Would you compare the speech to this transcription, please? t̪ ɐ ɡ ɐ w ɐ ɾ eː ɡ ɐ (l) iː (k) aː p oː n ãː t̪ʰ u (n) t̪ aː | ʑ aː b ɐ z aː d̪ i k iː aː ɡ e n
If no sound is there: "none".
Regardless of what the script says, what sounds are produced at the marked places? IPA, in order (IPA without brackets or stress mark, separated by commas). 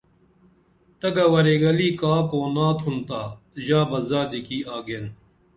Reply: l, k, n